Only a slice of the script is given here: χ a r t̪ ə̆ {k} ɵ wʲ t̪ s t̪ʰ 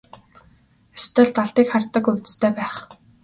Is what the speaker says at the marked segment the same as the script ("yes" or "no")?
yes